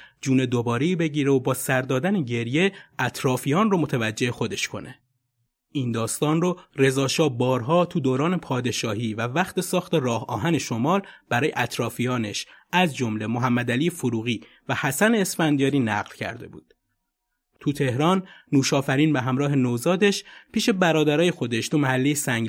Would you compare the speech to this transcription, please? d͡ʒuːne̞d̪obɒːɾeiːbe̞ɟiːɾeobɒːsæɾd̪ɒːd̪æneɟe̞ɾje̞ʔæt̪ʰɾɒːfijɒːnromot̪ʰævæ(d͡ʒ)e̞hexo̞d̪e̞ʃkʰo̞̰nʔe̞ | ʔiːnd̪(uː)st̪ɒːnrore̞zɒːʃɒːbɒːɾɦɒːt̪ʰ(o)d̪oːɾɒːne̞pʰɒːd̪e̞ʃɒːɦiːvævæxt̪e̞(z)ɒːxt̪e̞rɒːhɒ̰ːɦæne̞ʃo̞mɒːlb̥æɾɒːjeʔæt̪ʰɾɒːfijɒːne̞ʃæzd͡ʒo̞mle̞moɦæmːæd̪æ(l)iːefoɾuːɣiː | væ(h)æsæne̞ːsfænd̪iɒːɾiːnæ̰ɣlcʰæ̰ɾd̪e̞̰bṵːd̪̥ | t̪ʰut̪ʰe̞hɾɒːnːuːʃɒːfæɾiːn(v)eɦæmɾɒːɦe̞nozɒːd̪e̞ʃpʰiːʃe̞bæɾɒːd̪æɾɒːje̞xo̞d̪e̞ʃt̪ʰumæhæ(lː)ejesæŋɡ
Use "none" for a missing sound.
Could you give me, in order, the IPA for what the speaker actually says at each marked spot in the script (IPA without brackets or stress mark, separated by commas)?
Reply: d͡ʒː, ɒː, u, s, l, h, b, lː